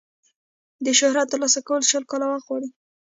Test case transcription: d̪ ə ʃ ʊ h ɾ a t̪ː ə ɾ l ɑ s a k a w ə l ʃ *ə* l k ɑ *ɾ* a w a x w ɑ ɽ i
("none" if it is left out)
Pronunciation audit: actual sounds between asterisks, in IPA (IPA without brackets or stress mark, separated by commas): ə, l